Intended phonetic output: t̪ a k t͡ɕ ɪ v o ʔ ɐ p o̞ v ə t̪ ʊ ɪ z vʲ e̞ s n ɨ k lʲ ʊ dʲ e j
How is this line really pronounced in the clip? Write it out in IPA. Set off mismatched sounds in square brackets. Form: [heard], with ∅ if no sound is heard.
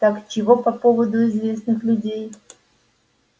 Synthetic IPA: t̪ a k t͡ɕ ɪ v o [p] ɐ p o̞ v ə [d̪] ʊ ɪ z vʲ e̞ s n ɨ [x] lʲ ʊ dʲ e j